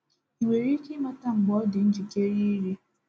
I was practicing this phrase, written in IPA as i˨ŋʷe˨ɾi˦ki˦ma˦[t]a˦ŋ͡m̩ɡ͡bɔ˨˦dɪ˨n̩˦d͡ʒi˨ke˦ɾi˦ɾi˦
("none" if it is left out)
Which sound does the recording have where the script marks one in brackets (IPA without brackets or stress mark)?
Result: t